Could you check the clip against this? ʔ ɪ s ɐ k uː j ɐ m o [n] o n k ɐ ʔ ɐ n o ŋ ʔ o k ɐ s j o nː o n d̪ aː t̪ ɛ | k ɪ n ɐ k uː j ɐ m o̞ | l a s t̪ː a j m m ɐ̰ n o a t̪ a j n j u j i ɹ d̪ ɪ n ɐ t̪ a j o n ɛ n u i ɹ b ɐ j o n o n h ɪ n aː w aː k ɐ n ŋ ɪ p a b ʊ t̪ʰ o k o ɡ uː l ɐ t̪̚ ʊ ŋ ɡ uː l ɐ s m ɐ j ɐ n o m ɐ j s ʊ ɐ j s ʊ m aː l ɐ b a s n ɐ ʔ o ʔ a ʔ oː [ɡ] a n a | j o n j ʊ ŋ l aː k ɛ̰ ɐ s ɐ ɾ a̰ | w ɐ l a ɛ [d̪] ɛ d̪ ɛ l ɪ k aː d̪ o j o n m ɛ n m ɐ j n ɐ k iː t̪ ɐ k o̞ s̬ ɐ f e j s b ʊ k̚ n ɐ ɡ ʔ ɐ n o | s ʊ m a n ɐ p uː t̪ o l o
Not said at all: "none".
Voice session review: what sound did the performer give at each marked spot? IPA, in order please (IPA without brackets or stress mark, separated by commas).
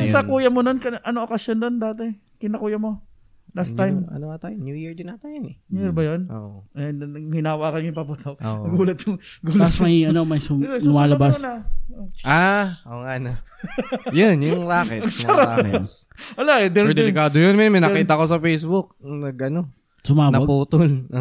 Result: n, ŋ, d̪